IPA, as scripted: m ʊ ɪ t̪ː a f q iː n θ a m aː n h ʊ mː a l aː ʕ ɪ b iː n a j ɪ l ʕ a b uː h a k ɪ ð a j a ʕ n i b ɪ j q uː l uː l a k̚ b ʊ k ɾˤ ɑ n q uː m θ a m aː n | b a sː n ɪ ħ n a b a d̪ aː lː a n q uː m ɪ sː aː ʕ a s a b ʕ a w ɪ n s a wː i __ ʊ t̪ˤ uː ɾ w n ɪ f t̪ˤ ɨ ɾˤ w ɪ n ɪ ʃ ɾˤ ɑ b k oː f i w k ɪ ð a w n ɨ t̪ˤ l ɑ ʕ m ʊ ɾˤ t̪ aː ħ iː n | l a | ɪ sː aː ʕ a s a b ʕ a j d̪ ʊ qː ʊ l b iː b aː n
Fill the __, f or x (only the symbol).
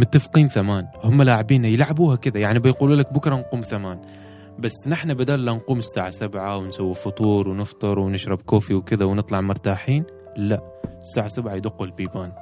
f